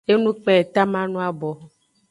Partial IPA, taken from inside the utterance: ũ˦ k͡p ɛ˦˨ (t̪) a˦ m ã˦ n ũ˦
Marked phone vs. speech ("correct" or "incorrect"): correct